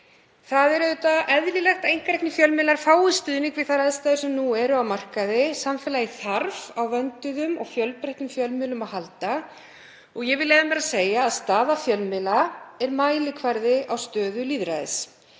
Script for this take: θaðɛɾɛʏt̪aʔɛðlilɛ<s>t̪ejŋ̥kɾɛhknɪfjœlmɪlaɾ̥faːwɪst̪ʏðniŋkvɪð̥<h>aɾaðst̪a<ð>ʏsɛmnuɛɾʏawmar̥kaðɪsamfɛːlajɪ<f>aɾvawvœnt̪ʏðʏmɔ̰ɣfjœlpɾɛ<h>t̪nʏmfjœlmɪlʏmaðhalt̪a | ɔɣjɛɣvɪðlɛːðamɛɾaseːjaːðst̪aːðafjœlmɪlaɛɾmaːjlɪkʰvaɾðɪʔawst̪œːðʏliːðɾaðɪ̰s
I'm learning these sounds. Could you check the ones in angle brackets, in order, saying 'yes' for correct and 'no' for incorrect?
no, no, yes, no, yes

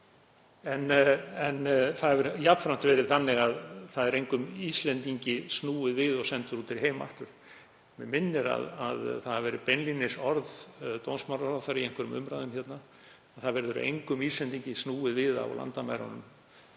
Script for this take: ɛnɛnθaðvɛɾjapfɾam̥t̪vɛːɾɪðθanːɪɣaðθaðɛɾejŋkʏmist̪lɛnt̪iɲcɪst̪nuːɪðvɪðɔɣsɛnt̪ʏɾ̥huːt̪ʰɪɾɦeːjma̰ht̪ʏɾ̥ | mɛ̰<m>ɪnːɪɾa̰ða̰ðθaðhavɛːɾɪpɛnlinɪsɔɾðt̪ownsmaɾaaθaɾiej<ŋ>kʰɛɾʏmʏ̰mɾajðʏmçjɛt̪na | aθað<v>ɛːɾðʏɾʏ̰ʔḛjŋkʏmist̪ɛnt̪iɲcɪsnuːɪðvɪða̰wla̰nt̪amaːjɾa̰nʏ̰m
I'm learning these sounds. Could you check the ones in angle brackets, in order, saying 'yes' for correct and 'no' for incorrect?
yes, yes, yes

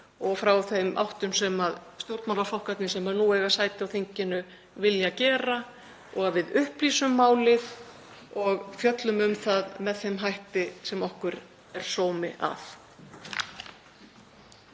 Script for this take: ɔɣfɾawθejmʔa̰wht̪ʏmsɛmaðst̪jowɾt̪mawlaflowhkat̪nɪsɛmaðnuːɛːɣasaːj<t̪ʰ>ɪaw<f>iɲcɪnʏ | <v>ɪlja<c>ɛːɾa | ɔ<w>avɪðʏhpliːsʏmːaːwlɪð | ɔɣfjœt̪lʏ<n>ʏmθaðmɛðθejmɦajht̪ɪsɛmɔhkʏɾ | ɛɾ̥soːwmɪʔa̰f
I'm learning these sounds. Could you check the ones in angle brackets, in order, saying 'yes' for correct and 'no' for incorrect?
no, no, yes, yes, no, no

